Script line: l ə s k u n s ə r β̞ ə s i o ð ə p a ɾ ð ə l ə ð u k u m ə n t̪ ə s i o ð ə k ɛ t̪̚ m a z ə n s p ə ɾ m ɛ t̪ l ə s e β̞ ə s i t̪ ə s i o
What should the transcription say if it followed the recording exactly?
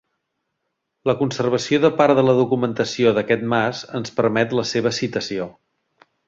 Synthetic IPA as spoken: l ə k u n s ə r β̞ ə s i o ð ə p a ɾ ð ə l ə ð u k u m ə n t̪ ə s i o ð ə k ɛ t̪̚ m a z ə n s p ə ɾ m ɛ t̪ l ə s e β̞ ə s i t̪ ə s i o